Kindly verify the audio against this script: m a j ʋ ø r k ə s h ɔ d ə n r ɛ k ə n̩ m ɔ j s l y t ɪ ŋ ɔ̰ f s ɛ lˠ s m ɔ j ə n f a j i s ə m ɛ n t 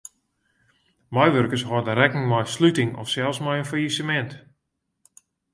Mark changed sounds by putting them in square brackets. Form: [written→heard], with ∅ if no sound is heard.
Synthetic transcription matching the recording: m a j ʋ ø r k ə s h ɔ d ə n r ɛ k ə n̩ m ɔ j s l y t ɪ ŋ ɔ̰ f s ɛ lˠ s m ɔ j ə n f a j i s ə m ɛ n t